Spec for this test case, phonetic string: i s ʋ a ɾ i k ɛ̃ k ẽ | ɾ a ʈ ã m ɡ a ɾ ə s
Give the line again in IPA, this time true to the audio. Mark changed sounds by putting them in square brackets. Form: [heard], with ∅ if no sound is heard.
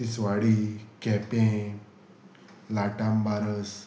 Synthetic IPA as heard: i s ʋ a [ɽ] i k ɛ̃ [p] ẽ | [l] a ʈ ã m [b] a ɾ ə s